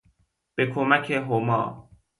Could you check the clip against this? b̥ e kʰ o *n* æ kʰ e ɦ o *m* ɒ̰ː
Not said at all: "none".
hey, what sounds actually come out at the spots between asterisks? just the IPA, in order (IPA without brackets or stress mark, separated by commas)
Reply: m, m